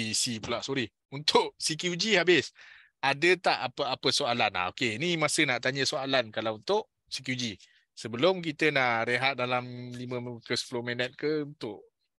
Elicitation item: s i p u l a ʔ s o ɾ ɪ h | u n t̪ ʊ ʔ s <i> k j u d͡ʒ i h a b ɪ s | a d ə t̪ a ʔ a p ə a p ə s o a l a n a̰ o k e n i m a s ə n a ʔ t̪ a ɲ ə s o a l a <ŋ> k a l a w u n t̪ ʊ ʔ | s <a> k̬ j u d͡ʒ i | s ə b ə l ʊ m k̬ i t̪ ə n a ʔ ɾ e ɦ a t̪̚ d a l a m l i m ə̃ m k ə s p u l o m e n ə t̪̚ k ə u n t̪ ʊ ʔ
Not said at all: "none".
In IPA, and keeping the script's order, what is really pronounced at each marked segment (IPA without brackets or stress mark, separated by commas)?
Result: i, n, i